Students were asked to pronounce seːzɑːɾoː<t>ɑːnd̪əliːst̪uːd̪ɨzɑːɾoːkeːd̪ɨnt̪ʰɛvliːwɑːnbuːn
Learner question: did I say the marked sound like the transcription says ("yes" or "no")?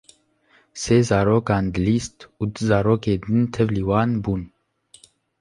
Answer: no